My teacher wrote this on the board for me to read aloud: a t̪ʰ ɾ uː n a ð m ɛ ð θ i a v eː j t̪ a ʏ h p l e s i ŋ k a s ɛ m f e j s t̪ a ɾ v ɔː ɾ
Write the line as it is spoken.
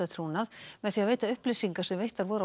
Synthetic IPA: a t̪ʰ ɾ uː n a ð m ɛ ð θ i a v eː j t̪ a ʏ h p l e s i ŋ k a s ɛ m v e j h t̪ a ɾ v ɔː ɾ